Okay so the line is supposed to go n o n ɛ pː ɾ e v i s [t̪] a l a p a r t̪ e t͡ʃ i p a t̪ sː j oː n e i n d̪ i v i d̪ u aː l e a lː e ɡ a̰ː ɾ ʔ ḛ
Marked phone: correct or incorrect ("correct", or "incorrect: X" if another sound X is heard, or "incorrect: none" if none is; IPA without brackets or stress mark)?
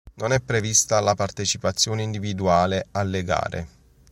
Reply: correct